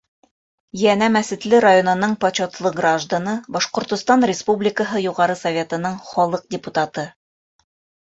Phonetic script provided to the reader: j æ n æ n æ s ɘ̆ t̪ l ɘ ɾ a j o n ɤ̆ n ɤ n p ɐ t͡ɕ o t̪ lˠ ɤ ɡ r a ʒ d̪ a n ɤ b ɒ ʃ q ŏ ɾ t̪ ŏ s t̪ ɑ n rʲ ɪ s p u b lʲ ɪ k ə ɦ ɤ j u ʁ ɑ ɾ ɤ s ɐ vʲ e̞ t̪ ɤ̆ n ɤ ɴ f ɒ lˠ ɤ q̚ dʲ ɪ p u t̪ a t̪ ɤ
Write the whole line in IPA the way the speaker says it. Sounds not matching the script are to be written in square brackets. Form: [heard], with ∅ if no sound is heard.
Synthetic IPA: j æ n æ [m] æ s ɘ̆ t̪ l ɘ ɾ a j o n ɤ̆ n ɤ [ɴ] p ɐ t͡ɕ o t̪ lˠ ɤ ɡ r a ʒ d̪ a n ɤ b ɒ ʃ q ŏ ɾ t̪ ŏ s t̪ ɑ n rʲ ɪ s p u b lʲ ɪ k ə ɦ ɤ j u ʁ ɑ ɾ ɤ s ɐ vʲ e̞ t̪ ɤ̆ n ɤ ɴ [χ] ɒ lˠ ɤ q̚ dʲ ɪ p u t̪ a t̪ ɤ